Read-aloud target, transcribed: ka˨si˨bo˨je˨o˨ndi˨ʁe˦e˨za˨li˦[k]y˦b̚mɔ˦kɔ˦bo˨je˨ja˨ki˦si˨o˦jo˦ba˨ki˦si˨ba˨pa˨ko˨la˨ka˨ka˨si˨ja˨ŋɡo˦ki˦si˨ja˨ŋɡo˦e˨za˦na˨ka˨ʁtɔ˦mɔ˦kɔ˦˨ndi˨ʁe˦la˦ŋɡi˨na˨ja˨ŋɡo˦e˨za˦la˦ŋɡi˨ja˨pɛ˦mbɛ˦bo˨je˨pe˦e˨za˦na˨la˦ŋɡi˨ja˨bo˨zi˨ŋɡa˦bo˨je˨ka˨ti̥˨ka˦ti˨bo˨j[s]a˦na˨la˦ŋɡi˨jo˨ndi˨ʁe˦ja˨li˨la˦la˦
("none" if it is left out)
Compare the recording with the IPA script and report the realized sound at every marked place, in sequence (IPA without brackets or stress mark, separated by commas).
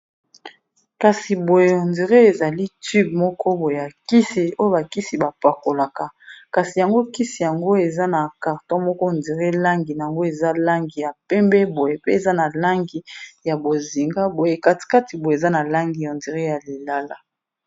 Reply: t, z